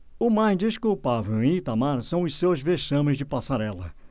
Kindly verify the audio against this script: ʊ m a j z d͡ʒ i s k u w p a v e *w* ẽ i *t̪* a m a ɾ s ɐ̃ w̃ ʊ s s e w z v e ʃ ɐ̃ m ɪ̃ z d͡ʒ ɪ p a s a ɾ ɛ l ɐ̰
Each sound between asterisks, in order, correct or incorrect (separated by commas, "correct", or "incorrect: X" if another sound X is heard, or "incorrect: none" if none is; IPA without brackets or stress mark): correct, correct